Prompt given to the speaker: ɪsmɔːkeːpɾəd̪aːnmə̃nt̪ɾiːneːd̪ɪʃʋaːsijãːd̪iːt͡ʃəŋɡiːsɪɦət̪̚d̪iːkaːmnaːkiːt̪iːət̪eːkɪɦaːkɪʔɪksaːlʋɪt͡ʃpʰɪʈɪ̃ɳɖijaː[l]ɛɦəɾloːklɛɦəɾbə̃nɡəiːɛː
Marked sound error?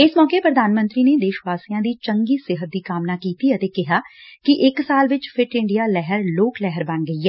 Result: no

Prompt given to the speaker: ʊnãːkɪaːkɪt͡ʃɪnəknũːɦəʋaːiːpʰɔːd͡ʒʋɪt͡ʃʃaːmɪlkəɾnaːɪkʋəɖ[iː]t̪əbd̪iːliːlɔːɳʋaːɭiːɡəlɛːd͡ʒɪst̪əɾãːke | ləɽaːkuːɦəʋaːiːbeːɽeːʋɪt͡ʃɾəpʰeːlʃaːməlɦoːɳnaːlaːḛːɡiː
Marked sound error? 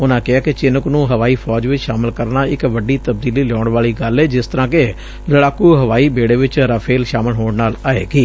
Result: no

